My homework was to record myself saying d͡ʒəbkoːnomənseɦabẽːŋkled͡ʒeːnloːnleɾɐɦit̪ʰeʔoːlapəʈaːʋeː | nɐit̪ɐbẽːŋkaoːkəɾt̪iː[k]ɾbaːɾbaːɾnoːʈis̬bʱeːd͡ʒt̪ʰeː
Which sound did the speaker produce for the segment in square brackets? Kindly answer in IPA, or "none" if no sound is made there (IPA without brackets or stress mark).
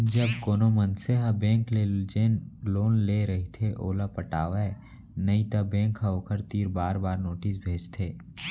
none